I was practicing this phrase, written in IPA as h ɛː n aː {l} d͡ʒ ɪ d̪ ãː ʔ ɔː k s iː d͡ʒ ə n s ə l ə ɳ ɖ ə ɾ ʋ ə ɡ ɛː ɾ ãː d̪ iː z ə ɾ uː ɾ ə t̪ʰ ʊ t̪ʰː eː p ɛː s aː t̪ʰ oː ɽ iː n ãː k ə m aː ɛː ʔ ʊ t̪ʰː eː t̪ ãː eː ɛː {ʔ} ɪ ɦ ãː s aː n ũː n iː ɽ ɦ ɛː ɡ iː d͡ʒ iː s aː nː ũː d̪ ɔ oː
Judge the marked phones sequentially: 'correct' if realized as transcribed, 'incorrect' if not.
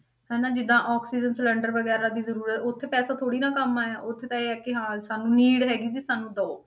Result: incorrect, incorrect

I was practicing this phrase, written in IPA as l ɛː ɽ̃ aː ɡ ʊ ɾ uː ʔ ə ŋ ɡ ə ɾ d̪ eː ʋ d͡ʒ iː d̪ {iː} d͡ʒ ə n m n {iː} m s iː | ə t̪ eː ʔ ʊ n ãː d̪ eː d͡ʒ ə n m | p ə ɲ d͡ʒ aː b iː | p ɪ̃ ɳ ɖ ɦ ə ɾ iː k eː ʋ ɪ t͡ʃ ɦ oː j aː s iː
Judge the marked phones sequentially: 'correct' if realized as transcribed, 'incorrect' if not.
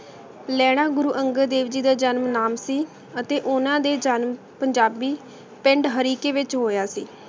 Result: incorrect, incorrect

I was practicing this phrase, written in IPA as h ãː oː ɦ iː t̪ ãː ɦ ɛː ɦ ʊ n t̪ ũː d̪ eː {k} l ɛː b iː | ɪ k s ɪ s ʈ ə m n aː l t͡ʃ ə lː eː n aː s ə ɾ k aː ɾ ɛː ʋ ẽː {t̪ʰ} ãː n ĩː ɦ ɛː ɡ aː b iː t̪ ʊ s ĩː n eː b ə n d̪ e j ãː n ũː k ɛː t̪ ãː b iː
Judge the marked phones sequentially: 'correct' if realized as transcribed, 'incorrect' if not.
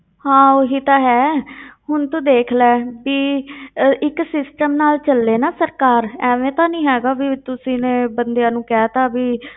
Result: incorrect, incorrect

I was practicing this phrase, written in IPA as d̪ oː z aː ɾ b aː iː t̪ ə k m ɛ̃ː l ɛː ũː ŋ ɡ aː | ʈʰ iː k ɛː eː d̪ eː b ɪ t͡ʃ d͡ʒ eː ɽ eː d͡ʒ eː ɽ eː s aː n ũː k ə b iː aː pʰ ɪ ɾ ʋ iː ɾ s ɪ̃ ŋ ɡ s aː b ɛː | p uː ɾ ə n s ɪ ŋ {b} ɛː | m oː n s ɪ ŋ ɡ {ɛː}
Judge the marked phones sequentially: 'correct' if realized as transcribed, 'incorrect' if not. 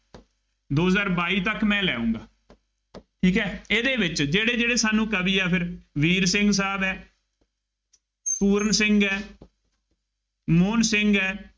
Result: incorrect, correct

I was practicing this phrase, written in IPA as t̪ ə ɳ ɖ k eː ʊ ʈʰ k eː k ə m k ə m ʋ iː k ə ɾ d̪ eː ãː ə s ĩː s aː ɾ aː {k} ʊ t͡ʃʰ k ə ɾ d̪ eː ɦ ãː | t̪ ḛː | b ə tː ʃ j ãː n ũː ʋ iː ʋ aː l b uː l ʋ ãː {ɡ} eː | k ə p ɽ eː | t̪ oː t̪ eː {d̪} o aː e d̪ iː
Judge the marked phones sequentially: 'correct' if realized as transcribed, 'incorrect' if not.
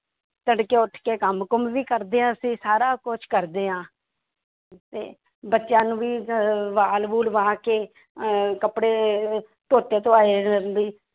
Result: correct, incorrect, incorrect

